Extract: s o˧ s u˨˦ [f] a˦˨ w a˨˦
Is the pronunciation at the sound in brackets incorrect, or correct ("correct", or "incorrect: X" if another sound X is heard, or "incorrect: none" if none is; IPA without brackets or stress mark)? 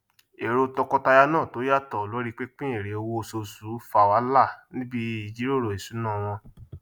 correct